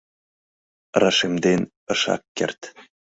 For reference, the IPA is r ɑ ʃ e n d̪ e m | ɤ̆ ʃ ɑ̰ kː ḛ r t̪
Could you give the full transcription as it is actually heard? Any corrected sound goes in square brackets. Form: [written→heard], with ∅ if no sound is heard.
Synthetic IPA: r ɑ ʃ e [n→m] d̪ e [m→n] | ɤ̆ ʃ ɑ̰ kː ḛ r t̪